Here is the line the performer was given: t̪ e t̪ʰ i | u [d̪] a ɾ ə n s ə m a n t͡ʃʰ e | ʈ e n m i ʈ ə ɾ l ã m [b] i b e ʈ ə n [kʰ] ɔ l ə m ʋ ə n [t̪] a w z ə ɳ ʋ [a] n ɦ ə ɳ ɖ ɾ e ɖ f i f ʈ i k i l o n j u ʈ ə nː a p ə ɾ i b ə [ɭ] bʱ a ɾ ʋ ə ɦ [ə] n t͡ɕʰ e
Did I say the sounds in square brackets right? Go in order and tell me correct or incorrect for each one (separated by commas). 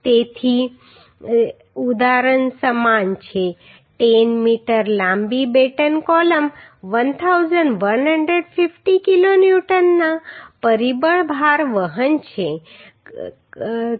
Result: correct, correct, incorrect, incorrect, incorrect, correct, correct